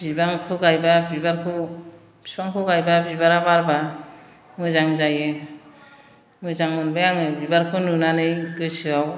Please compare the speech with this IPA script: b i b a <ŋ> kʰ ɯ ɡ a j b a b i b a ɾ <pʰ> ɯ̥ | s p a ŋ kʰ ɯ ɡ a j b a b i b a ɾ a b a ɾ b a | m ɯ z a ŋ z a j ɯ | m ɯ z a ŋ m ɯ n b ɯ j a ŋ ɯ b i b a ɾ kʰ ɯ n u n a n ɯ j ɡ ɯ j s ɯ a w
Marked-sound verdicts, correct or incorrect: correct, incorrect: kʰ

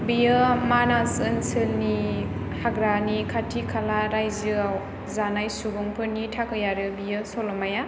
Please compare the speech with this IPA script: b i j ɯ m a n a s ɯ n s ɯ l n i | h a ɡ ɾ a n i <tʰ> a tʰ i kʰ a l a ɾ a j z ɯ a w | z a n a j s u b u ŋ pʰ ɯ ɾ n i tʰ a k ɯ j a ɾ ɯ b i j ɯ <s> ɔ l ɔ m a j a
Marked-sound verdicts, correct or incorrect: incorrect: kʰ, correct

